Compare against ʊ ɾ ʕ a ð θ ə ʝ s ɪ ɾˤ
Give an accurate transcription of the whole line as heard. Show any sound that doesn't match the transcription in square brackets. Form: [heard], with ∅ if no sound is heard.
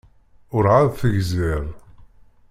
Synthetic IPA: ʊ ɾ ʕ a ð θ ə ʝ [z] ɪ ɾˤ